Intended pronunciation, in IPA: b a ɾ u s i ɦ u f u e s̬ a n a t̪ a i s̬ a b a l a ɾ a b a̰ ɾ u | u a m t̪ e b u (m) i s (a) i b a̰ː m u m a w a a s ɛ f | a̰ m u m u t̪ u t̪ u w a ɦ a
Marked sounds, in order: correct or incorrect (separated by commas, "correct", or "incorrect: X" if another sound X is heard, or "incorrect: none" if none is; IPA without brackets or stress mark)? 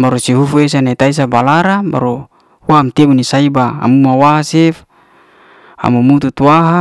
incorrect: n, correct